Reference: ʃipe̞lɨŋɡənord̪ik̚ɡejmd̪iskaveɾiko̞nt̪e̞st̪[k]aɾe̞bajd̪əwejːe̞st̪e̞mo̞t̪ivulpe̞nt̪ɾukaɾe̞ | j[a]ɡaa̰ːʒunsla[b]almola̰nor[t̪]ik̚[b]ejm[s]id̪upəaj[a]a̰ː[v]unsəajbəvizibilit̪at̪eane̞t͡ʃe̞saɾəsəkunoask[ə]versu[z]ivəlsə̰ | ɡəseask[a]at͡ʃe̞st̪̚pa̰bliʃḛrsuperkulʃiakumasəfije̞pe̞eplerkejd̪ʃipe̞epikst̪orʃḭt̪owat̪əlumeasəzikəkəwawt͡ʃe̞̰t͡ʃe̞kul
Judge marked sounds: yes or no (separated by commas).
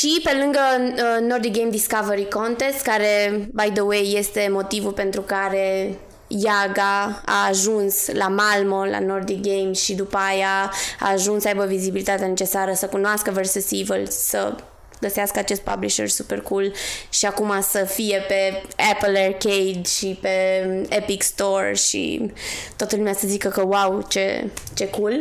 yes, yes, no, no, no, no, yes, no, yes, no, no